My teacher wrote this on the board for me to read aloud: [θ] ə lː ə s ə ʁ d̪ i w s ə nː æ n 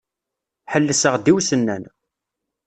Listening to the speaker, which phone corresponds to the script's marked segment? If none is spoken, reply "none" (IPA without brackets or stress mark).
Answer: ħ